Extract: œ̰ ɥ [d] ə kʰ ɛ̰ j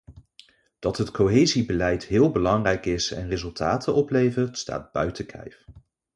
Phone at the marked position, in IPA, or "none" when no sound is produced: t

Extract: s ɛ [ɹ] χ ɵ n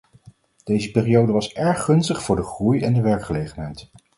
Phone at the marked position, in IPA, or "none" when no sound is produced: ɹ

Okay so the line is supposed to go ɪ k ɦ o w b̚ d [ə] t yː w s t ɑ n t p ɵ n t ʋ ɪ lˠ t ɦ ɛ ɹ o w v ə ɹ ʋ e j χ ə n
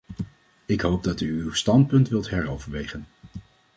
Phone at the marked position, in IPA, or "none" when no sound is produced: ɑ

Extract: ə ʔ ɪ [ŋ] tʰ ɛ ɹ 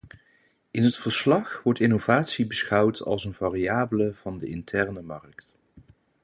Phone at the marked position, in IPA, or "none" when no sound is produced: n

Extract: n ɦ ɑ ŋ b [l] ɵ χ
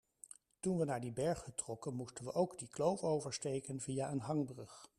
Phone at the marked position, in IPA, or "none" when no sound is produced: r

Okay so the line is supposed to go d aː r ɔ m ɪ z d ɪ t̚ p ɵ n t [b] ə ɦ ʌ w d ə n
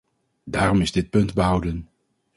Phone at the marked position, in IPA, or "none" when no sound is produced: b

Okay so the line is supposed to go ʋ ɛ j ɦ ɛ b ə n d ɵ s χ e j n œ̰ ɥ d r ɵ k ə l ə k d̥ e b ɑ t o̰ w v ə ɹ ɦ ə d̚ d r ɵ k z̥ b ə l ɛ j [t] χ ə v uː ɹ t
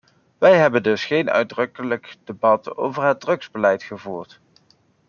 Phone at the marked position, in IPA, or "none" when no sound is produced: t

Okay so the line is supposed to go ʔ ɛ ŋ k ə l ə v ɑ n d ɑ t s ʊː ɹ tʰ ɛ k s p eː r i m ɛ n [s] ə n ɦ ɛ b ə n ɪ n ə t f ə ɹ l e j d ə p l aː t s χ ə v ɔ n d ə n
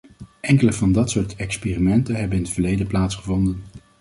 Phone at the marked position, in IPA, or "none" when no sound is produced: t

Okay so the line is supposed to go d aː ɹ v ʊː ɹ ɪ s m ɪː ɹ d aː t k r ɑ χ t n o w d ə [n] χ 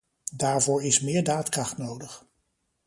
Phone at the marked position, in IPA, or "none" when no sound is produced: none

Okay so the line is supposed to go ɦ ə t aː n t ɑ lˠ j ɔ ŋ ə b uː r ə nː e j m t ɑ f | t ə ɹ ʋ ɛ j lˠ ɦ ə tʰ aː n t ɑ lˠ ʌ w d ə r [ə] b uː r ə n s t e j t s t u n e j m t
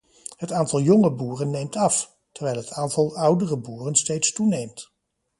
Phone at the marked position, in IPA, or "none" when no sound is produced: ə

